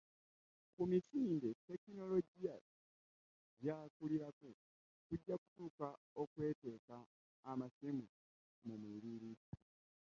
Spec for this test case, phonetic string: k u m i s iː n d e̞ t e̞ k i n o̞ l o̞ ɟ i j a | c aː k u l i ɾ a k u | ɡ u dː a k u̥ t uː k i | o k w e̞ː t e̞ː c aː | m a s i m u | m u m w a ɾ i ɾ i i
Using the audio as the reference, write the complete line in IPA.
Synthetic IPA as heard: k u m i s iː n d e̞ t e̞ k i n o̞ l o̞ ɟ i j a | ɟ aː k u l i ɾ a k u | k u ɟː a k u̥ t uː k a | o k w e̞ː t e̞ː k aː | m a s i m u | m u m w i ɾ i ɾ i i